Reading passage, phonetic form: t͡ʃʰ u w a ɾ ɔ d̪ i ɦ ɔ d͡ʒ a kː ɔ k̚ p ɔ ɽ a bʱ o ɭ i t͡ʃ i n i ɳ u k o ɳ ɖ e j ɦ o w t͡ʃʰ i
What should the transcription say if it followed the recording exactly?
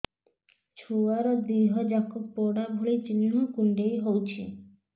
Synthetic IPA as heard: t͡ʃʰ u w a ɾ ɔ d̪ i ɦ ɔ d͡ʒ a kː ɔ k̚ p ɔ ɽ a bʱ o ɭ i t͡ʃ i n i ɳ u k u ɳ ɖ e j ɦ o w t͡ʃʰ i